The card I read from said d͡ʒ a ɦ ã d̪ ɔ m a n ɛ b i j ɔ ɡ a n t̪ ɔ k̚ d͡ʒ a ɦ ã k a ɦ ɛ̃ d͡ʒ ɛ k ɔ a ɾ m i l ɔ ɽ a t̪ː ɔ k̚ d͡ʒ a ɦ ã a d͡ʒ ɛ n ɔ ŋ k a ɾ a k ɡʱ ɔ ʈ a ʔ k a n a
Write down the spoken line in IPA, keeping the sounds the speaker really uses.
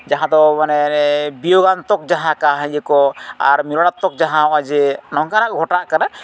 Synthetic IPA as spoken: d͡ʒ a ɦ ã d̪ ɔ m a n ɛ b i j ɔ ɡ a n t̪ ɔ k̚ d͡ʒ a ɦ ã k a ɦ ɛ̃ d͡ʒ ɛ k ɔ a ɾ m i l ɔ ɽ a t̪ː ɔ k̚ d͡ʒ a ɦ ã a d͡ʒ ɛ n ɔ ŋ k a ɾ a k ɡʱ ɔ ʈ a ʔ k a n a